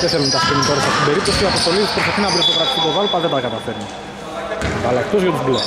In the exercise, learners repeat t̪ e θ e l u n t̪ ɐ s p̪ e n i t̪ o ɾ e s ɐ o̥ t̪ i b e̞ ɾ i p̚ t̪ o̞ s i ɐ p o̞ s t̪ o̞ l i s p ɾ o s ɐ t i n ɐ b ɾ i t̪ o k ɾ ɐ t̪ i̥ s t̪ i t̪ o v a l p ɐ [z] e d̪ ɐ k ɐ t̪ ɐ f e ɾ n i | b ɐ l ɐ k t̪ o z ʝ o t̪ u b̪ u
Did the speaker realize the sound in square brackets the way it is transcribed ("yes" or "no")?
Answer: no